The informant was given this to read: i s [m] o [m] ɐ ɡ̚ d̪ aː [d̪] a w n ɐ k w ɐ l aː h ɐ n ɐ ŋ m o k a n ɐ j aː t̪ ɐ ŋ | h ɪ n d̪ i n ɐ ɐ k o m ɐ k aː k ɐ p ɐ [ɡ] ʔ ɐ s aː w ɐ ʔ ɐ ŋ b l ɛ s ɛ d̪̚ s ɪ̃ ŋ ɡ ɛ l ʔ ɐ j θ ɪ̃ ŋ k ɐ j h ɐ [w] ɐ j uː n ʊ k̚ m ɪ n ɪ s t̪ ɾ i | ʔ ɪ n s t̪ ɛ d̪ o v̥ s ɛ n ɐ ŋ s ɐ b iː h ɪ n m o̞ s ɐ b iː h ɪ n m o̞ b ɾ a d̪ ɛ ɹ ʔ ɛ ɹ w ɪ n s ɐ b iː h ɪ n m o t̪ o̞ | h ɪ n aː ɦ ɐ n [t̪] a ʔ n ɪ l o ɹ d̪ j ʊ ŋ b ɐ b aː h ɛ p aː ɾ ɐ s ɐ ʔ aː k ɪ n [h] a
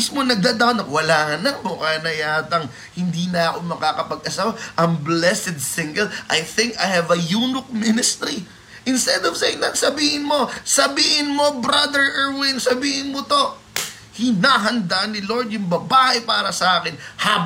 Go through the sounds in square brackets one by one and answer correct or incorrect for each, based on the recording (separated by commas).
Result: correct, incorrect, correct, correct, incorrect, incorrect, correct